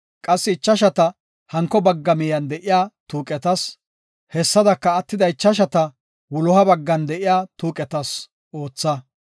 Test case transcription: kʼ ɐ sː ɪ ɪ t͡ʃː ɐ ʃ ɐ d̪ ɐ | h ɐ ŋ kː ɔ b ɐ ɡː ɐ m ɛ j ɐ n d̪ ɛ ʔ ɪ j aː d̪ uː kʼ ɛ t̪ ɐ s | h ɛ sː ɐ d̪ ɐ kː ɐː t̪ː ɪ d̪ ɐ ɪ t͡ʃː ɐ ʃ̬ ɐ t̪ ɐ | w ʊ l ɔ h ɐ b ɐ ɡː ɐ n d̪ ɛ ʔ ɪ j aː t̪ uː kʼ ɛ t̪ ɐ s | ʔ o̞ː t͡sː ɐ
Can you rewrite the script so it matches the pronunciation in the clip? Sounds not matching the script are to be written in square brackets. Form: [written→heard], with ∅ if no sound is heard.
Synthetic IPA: kʼ ɐ sː ɪ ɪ t͡ʃː ɐ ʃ ɐ [d̪→t̪] ɐ | h ɐ ŋ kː ɔ b ɐ ɡː ɐ m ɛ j ɐ n d̪ ɛ ʔ ɪ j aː [d̪→t̪] uː kʼ ɛ t̪ ɐ s | h ɛ sː ɐ d̪ ɐ kː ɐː t̪ː ɪ d̪ ɐ ɪ t͡ʃː ɐ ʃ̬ ɐ t̪ ɐ | w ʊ l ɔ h ɐ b ɐ ɡː ɐ n d̪ ɛ ʔ ɪ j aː t̪ uː kʼ ɛ t̪ ɐ s | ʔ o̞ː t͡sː ɐ